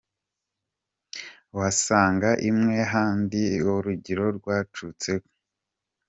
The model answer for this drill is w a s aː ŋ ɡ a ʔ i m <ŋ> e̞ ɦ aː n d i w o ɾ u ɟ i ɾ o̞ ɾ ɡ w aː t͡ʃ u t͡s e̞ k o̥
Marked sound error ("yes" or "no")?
no